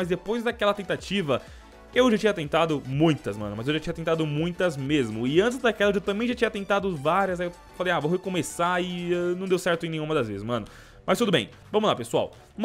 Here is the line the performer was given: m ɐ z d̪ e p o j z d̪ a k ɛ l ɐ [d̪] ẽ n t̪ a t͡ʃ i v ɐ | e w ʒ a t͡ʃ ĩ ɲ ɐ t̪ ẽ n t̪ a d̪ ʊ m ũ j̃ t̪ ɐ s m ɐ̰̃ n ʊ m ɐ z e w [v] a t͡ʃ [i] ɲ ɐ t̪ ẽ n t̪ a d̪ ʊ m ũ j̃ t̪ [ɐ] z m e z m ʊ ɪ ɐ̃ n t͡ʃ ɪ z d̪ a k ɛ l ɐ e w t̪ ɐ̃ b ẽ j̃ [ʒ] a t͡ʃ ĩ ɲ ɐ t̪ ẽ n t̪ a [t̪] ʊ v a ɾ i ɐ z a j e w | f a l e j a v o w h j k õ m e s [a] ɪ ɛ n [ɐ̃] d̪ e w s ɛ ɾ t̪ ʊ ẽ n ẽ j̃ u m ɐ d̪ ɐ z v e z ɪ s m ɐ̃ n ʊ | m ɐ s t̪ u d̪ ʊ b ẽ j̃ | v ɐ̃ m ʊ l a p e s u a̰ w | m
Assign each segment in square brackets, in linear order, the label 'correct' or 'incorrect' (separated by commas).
incorrect, incorrect, correct, correct, correct, incorrect, correct, correct